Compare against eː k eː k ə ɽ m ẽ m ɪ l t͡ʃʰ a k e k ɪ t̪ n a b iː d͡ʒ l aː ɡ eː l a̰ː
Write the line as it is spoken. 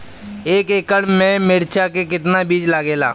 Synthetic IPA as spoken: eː k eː k ə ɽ m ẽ m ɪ ɾ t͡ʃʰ a k e k ɪ t̪ n a b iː d͡ʒ l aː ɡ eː l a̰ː